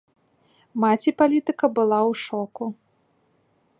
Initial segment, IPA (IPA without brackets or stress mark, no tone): m